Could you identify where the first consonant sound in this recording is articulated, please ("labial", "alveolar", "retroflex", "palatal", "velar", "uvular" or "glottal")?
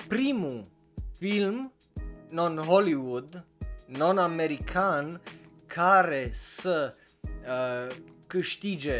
labial